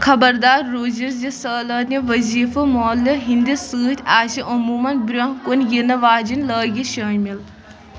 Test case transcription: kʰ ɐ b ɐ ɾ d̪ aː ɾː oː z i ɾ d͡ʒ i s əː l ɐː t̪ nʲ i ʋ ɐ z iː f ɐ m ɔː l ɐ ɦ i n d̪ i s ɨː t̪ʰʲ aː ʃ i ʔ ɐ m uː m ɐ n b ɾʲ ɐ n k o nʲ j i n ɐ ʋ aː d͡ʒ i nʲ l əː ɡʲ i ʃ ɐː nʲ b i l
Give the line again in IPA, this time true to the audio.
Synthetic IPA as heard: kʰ ɐ b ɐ ɾ d̪ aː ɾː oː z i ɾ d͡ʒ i s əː l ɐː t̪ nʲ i ʋ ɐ z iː f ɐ m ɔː l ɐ ɦ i n d̪ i s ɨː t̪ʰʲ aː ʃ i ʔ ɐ m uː m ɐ n b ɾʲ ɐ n k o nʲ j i n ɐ ʋ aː d͡ʒ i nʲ l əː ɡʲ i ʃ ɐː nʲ m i l